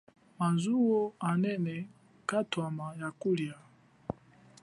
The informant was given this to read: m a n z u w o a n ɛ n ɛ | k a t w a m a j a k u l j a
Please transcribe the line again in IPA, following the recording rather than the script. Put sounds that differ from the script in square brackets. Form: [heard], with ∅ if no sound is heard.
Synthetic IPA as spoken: m a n z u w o a n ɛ n ɛ | k a t w a m a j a k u l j a